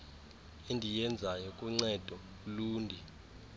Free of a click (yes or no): no